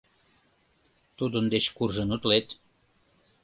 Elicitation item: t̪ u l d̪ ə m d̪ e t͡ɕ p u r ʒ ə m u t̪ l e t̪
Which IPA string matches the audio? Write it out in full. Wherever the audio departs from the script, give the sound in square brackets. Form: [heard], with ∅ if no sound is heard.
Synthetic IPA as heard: t̪ u [∅] d̪ ə [n] d̪ e t͡ɕ [k] u r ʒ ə [n] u t̪ l e t̪